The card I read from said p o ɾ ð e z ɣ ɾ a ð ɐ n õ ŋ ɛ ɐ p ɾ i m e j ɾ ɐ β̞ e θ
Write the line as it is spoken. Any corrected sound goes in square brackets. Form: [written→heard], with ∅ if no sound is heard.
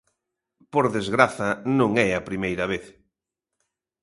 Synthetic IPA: p o ɾ ð e z ɣ ɾ a [ð→θ] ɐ n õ ŋ ɛ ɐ p ɾ i m e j ɾ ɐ β̞ e θ